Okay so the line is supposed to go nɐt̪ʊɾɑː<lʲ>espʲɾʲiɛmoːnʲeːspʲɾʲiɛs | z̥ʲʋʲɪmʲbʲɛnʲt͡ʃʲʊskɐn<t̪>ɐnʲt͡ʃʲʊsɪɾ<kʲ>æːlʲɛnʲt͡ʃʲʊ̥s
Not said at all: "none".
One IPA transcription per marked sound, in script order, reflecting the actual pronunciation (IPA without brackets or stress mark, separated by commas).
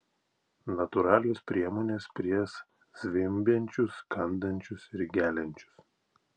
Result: lʲ, d̪, ɡʲ